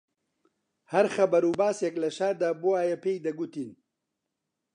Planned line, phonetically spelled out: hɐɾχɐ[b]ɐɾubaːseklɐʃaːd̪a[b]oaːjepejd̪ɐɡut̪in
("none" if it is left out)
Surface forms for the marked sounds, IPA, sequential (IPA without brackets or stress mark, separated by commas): b, b